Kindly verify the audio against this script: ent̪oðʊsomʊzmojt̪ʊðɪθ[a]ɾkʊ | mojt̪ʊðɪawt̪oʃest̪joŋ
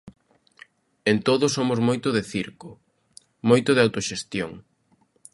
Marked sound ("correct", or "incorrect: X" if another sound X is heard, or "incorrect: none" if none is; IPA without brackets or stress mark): incorrect: i